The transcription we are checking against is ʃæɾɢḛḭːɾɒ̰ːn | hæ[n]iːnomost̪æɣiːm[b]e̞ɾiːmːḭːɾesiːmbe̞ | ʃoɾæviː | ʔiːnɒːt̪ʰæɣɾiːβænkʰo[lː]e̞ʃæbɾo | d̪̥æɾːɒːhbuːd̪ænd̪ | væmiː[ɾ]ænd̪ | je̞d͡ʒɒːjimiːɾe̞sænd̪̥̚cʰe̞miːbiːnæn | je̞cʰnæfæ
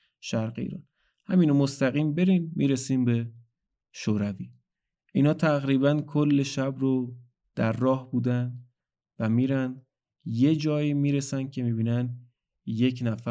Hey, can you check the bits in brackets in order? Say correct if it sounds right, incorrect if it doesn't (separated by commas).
incorrect, correct, correct, correct